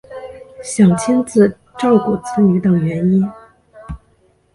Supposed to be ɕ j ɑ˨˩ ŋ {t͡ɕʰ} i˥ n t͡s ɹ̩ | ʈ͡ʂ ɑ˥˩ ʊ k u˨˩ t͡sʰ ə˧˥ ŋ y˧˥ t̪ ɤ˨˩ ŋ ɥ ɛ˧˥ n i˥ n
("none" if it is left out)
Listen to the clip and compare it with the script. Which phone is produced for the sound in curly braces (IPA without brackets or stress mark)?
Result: t͡ɕʰ